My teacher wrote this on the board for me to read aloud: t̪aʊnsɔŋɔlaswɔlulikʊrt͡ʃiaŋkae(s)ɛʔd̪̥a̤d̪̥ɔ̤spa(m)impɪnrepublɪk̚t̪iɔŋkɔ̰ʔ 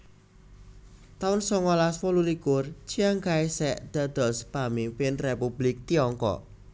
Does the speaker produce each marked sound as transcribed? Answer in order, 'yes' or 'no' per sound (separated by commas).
yes, yes